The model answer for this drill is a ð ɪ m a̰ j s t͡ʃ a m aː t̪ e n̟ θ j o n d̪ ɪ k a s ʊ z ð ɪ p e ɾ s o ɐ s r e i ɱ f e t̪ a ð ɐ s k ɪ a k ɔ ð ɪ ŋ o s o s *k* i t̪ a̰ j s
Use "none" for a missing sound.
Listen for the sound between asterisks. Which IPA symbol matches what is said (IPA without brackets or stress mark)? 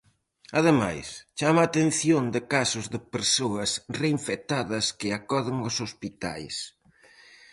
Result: p